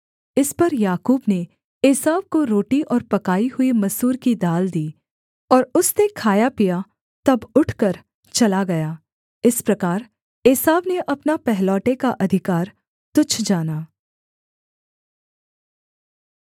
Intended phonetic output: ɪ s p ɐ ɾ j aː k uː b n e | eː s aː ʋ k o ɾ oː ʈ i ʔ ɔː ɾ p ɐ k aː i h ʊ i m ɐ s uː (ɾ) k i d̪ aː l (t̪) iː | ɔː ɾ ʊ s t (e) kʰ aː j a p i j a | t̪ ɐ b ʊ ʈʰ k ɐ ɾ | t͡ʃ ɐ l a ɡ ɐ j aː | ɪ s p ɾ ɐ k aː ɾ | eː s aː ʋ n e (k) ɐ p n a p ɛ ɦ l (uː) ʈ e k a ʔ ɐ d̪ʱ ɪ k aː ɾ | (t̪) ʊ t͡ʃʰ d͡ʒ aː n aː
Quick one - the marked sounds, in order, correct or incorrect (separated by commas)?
correct, incorrect, correct, incorrect, incorrect, correct